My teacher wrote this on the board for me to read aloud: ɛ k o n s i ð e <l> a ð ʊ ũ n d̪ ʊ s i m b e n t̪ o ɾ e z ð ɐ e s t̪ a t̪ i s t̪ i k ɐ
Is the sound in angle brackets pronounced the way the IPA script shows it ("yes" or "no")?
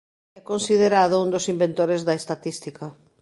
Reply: no